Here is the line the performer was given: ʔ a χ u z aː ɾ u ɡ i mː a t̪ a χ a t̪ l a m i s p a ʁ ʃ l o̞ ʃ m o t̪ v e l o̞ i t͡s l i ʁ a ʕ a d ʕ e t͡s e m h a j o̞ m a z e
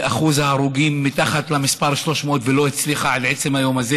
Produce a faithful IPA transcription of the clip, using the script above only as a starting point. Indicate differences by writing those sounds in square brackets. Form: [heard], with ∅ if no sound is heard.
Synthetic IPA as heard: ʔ a χ u z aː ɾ u ɡ i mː [i] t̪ a χ a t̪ l a m i s p a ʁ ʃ l o̞ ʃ m o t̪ v e l o̞ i t͡s l i [χ] a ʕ a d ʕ e t͡s e m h a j o̞ m a z e